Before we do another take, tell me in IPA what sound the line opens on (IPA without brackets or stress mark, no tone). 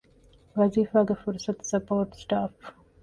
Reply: ʋ